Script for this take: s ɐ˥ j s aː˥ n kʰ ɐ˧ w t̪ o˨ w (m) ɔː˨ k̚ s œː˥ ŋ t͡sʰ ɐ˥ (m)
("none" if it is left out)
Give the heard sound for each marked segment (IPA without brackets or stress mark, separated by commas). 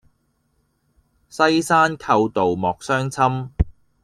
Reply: m, m